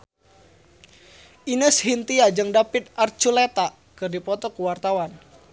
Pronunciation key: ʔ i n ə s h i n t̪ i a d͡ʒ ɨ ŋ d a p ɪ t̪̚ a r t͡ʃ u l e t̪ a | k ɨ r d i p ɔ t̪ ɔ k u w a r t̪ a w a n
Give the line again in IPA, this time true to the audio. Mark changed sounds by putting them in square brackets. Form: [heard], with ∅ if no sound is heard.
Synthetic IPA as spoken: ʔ i n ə s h i n t̪ i a d͡ʒ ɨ ŋ d a p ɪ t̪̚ a r t͡ʃ u l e t̪ a | k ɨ r d i p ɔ t̪ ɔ k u w a r t̪ a w a n